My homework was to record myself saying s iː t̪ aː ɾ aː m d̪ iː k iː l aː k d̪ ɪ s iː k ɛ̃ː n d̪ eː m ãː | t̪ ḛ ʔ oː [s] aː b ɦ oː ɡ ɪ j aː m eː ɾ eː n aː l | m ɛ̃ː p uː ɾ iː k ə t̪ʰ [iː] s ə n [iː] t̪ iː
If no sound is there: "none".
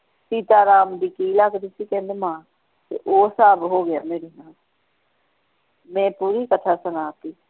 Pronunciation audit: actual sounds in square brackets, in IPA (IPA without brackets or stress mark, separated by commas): s, aː, aː